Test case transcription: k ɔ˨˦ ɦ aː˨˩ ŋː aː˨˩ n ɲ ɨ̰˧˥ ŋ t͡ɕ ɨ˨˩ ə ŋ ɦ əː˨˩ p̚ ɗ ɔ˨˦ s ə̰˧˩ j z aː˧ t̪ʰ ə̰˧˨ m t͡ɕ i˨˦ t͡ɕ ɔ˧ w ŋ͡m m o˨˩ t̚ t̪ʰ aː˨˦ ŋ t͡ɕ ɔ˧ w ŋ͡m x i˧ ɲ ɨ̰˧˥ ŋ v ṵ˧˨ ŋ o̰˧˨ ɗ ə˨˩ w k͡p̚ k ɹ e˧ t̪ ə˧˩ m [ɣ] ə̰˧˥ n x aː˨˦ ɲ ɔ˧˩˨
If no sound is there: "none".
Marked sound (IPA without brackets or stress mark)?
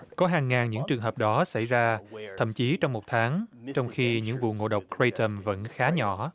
v